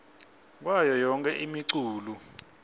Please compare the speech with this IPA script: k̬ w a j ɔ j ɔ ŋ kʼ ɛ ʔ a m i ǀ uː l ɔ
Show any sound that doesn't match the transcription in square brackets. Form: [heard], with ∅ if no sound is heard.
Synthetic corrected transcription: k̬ w a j ɔ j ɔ ŋ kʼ ɛ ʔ [i] m i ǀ uː l [u]